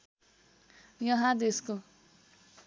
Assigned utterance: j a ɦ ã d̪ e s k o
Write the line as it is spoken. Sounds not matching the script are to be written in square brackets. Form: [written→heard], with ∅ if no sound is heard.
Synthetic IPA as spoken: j [a→ʌ] ɦ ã d̪ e s k o